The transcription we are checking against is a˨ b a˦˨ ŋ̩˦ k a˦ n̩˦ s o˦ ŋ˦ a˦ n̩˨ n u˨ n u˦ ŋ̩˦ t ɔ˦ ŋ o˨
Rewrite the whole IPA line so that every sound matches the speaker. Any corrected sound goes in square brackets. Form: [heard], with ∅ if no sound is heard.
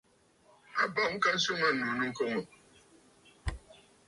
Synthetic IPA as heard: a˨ b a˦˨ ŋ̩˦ k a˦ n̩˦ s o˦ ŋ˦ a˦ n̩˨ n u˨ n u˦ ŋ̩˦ [k] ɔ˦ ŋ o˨